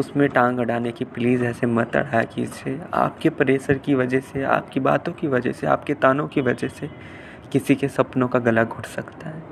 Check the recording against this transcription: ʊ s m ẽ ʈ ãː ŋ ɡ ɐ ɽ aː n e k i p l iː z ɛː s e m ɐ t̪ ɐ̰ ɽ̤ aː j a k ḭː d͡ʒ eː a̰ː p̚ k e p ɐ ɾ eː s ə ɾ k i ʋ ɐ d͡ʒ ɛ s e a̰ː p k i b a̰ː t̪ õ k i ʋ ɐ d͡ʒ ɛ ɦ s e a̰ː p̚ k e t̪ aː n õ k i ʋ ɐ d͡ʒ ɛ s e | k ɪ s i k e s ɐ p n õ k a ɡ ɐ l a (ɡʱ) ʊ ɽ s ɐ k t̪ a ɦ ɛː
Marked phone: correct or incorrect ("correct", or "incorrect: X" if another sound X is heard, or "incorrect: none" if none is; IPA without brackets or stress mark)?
correct